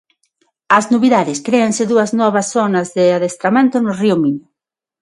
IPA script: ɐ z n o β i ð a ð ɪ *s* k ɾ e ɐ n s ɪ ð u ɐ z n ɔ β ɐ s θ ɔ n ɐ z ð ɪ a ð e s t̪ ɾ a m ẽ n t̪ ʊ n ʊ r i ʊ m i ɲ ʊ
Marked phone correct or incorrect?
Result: correct